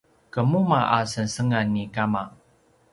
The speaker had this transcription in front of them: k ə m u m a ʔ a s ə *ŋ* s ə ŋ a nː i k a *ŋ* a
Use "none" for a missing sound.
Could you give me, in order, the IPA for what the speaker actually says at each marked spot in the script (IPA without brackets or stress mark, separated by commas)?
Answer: n, m